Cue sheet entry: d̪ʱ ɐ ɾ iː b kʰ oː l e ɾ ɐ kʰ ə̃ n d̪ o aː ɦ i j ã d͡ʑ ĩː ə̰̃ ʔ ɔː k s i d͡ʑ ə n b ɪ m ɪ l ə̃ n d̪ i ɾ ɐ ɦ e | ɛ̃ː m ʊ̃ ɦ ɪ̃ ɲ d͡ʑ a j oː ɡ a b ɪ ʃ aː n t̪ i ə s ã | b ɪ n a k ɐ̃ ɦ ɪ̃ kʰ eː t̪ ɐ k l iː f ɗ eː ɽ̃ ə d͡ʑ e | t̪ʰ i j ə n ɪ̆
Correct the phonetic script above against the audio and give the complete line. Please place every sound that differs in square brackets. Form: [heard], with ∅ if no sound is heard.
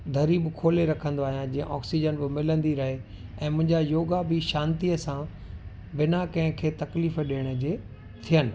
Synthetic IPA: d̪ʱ ɐ ɾ iː b kʰ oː l e ɾ ɐ kʰ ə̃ n d̪ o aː ɦ i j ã d͡ʑ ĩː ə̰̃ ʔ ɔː k s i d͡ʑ ə n b ɪ m ɪ l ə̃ n d̪ i ɾ ɐ ɦ e | ɛ̃ː m ʊ̃ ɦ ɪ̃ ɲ d͡ʑ a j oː ɡ a b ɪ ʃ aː n t̪ i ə s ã | b ɪ n a k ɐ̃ ɦ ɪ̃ kʰ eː t̪ ɐ k l iː f ɗ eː ɽ̃ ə d͡ʑ e | t̪ʰ i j ə n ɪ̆